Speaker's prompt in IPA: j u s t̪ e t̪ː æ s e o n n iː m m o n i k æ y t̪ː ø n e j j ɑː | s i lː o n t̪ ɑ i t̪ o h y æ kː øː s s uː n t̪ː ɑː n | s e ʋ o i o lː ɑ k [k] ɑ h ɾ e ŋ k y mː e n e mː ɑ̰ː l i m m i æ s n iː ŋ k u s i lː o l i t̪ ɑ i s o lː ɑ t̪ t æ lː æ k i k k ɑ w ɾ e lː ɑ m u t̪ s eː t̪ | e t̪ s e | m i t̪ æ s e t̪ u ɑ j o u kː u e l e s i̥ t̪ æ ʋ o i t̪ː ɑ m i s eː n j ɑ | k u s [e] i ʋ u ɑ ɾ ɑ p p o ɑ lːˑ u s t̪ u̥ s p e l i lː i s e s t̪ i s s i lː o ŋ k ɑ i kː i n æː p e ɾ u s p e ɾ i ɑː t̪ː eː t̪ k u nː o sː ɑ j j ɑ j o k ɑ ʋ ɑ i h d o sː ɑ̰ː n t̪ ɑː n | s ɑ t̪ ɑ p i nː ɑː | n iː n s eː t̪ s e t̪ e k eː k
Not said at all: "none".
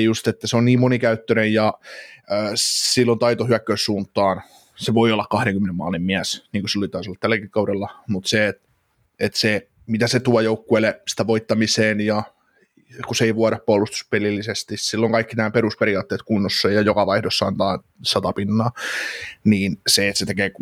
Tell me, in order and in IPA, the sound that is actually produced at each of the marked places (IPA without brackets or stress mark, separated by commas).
k, e